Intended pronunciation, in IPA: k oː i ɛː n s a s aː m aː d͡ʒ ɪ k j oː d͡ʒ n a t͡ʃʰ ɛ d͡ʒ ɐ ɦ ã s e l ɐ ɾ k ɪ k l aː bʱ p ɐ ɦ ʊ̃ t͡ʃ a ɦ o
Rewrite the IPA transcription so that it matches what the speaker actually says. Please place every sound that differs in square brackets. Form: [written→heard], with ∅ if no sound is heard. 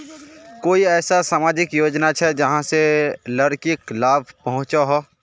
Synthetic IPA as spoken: k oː i ɛː [n→∅] s a s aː m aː d͡ʒ ɪ k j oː d͡ʒ n a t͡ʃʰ ɛ d͡ʒ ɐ ɦ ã s e l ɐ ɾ k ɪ k l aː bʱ p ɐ ɦ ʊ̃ t͡ʃ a ɦ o

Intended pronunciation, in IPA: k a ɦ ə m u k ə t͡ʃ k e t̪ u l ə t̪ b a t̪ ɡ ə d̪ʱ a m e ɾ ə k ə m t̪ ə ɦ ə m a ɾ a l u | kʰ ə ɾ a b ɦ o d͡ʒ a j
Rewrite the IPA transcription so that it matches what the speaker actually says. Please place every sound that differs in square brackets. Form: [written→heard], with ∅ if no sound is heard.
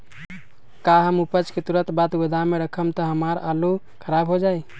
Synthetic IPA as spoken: k a ɦ ə m u [k→p] ə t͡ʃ k e t̪ u [l→ɾ] ə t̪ b a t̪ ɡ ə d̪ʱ a m e ɾ ə [k→kʰ] ə m t̪ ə ɦ ə m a ɾ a l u | kʰ ə ɾ a b ɦ o d͡ʒ a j

